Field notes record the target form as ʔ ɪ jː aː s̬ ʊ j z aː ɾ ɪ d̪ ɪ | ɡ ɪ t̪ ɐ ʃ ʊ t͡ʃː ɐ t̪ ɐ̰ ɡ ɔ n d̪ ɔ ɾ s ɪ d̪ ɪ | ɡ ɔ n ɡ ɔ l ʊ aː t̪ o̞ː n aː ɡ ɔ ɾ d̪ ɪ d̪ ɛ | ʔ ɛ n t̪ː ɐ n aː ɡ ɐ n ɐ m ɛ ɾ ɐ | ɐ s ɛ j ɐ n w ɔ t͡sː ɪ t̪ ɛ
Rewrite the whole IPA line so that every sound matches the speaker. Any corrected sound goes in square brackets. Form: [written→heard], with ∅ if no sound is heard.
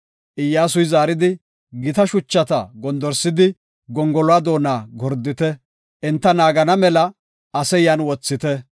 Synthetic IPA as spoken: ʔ ɪ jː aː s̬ ʊ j z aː ɾ ɪ d̪ ɪ | ɡ ɪ t̪ ɐ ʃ ʊ t͡ʃː ɐ t̪ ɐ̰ ɡ ɔ n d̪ ɔ ɾ s ɪ d̪ ɪ | ɡ ɔ [n→ŋ] ɡ ɔ l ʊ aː [t̪→d̪] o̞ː n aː ɡ ɔ ɾ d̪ ɪ [d̪→t̪] ɛ | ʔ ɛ n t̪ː ɐ n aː ɡ ɐ n ɐ m ɛ [ɾ→l] ɐ | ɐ s ɛ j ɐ n w ɔ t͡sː ɪ t̪ ɛ